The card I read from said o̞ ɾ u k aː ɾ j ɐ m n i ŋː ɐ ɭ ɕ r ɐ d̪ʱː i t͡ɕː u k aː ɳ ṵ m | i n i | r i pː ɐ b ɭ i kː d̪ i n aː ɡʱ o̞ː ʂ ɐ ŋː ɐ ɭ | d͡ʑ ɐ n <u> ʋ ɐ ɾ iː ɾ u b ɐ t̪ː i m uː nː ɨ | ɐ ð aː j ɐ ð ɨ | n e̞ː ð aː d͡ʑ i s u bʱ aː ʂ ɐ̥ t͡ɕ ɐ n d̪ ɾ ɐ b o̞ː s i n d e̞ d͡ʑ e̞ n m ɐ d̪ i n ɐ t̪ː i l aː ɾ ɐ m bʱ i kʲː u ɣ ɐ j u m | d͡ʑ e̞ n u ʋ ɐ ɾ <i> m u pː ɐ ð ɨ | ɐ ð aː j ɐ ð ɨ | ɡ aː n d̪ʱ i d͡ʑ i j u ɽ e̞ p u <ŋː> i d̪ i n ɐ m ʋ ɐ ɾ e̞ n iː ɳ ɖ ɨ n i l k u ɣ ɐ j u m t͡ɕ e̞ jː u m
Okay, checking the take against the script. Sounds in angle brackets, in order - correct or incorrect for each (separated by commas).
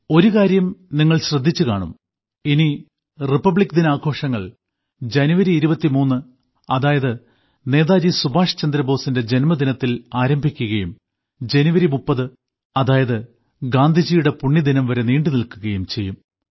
correct, correct, incorrect